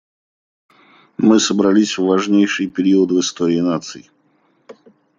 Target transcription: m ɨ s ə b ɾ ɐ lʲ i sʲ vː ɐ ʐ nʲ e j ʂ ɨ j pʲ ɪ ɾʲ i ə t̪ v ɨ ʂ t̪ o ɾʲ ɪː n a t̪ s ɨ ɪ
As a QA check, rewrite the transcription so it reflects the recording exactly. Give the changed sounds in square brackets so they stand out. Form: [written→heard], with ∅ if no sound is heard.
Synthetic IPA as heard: m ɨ s ə b ɾ ɐ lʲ i sʲ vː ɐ ʐ nʲ e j ʂ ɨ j pʲ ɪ ɾʲ i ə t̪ v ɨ [ʂ→s] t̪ o ɾʲ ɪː n a t̪ s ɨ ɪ